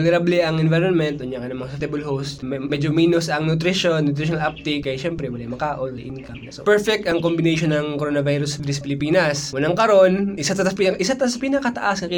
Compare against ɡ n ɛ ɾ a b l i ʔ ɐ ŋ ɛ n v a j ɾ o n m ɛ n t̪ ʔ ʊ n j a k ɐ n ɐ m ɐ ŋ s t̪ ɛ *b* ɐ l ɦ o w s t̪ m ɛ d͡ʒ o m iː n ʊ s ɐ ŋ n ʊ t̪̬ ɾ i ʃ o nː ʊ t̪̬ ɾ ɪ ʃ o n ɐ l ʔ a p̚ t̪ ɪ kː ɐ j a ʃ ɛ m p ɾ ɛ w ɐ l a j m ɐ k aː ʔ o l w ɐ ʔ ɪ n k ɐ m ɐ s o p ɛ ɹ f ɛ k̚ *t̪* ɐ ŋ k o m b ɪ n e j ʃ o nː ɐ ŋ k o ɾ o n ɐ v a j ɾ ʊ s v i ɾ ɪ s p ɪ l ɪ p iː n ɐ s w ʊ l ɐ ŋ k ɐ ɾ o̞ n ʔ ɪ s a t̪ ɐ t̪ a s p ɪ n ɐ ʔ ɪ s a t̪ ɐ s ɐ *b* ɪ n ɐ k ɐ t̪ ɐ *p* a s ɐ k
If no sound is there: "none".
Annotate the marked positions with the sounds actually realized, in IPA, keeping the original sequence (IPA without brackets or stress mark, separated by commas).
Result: b, t̪, p, ʔ